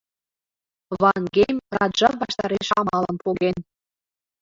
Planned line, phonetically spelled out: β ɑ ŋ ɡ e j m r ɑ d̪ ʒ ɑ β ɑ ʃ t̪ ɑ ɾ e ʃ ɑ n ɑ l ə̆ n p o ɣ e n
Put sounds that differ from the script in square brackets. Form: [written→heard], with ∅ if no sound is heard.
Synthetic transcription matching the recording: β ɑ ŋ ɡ e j m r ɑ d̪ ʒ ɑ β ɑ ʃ t̪ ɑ ɾ e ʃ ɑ [n→m] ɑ l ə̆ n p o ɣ e n